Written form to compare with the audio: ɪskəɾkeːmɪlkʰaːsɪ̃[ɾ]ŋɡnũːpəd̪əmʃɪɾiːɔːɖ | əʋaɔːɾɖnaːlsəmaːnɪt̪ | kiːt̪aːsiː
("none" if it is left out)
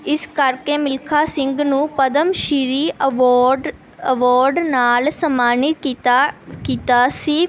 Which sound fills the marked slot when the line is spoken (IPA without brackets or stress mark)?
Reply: none